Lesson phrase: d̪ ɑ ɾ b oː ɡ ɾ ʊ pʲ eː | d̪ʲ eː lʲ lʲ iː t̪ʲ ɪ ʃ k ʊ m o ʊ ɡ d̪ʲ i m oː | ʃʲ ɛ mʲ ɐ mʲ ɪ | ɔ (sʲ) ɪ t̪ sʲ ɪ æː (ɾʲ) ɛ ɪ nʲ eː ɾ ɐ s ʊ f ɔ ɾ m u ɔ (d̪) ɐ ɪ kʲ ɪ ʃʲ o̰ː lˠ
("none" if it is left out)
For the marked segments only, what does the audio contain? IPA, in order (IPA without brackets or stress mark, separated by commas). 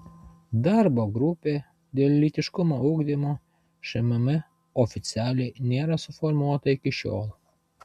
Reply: fʲ, lʲ, t̪